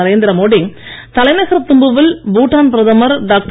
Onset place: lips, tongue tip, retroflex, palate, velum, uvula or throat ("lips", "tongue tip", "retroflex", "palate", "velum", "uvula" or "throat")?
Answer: tongue tip